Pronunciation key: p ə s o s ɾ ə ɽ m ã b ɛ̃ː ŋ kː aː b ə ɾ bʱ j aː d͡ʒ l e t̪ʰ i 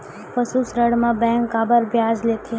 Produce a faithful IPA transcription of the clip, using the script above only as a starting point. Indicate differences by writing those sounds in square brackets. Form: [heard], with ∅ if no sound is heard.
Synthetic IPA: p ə s [u] s ɾ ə ɽ m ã b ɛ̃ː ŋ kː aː b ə ɾ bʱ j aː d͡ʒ l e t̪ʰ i